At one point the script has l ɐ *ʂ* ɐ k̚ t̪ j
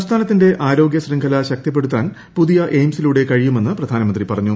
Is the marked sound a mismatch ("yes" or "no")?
yes